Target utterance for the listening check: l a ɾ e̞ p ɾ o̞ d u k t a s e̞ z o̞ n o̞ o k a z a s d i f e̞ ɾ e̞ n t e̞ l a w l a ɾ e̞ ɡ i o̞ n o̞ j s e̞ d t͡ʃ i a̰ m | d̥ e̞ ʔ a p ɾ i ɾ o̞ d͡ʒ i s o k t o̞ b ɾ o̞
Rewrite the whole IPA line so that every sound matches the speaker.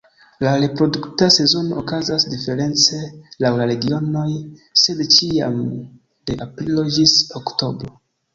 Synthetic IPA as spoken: l a ɾ e̞ p ɾ o̞ d u k t a s e̞ z o̞ n o̞ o k a z a s d i f e̞ ɾ e̞ n t͡s e̞ l a w l a ɾ e̞ ɡ i o̞ n o̞ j s e̞ d t͡ʃ i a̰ m | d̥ e̞ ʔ a p ɾ i l o̞ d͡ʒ i s o k t o̞ b ɾ o̞